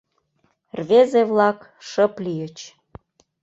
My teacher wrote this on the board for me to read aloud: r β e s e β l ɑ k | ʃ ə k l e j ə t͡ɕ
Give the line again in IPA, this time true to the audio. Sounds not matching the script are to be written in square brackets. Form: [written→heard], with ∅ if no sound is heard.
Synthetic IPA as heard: r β e [s→z] e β l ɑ k | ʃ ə [k→p] l [e→i] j ə t͡ɕ